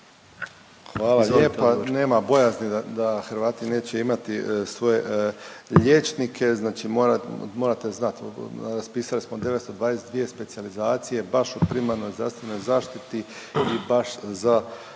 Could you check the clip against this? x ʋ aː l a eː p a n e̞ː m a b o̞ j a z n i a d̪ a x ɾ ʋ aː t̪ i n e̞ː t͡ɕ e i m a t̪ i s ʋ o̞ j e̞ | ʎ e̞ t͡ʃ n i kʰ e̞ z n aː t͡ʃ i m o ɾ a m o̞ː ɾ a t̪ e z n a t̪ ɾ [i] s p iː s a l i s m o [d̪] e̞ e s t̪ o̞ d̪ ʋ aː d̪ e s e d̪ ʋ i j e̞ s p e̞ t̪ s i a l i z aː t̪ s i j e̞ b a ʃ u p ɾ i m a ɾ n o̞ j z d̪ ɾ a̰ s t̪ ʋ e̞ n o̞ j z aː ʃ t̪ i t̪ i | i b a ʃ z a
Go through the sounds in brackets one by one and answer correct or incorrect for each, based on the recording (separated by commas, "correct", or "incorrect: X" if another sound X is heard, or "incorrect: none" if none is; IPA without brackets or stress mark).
incorrect: a, correct